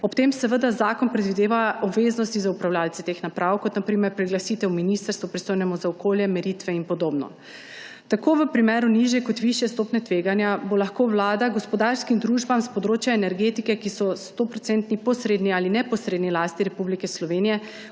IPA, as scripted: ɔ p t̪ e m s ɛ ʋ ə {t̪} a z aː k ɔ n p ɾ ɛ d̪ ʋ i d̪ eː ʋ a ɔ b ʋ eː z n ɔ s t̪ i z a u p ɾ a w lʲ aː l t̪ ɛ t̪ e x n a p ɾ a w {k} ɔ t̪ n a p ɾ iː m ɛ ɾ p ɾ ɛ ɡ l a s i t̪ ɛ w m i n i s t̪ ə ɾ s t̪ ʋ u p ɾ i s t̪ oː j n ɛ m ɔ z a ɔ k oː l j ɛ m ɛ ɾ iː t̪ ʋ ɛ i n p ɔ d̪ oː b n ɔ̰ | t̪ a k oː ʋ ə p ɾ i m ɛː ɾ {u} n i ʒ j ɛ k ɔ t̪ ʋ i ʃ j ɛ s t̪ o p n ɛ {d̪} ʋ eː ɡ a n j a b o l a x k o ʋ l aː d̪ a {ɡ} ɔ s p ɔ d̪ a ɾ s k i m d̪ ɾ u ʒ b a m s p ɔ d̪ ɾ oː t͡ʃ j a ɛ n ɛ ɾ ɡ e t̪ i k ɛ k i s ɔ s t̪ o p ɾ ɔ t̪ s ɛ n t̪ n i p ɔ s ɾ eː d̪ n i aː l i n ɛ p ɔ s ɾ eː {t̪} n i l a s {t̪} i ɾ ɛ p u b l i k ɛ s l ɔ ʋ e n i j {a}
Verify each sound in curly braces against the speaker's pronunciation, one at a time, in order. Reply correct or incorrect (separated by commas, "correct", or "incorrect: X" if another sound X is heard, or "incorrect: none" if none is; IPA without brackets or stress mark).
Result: incorrect: d̪, correct, correct, incorrect: t̪, correct, incorrect: d̪, correct, incorrect: ɛ